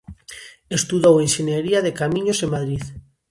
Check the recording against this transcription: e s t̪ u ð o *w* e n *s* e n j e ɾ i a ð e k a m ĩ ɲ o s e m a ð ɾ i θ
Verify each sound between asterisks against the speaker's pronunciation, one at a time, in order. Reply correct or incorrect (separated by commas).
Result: correct, incorrect